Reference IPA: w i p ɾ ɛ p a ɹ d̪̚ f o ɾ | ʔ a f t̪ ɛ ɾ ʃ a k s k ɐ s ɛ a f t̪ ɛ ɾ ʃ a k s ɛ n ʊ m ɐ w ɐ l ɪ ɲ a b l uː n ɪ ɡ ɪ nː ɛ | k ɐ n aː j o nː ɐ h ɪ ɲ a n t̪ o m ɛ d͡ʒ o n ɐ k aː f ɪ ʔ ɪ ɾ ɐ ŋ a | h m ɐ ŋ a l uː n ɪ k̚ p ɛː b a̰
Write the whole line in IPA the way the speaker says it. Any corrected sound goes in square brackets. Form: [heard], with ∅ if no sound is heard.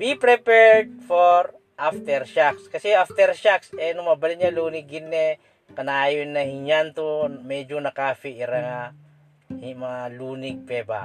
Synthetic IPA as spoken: w i p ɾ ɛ p [ɛ] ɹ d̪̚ f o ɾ | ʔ a f t̪ ɛ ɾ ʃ a k s k ɐ s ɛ a f t̪ ɛ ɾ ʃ a k s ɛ n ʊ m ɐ [b] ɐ l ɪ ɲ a [∅] l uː n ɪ ɡ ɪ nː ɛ | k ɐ n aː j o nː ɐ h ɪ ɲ a n t̪ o m ɛ d͡ʒ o n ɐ k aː f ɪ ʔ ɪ ɾ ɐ ŋ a | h m ɐ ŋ a l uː n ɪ [ɡ̚] p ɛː b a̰